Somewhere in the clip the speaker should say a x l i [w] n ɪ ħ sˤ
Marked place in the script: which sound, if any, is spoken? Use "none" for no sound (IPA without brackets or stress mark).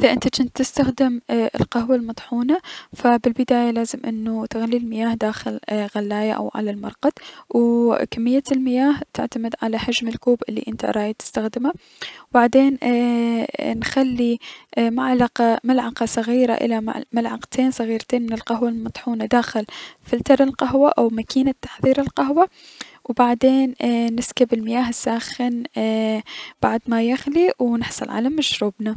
w